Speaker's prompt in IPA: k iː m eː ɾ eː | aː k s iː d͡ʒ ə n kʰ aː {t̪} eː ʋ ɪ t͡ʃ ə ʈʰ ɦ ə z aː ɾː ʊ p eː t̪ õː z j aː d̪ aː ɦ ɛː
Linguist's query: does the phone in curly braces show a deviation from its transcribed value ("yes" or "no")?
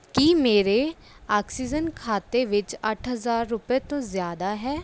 no